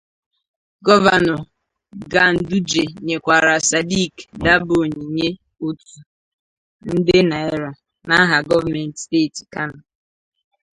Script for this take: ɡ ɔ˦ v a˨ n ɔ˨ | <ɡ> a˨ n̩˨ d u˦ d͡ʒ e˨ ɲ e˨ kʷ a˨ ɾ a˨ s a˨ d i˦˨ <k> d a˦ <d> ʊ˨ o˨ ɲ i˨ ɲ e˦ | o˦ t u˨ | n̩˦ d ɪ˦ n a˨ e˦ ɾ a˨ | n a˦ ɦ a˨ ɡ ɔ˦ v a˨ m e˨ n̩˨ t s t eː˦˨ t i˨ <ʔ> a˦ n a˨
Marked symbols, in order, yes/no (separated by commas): yes, yes, no, no